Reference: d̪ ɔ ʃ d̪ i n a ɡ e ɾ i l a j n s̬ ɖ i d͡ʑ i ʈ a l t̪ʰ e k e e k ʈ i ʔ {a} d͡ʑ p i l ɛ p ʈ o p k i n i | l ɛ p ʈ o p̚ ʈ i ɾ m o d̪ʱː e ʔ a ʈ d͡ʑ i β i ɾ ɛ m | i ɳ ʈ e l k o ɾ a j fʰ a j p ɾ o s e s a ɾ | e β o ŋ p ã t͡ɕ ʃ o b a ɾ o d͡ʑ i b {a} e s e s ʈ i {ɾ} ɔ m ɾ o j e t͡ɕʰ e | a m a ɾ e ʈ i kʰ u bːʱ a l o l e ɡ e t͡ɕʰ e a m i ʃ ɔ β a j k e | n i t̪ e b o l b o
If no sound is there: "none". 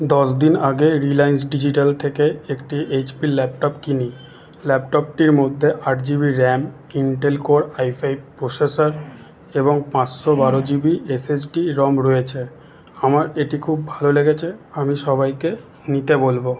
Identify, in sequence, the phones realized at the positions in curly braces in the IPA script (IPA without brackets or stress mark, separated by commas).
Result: e, i, ɾ